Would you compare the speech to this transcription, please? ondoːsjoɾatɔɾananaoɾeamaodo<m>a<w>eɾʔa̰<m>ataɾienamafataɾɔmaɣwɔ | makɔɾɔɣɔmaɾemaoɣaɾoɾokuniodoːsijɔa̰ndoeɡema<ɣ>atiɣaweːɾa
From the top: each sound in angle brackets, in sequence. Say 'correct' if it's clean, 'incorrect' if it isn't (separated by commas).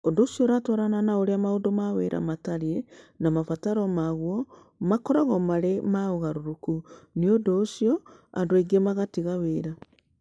correct, correct, correct, correct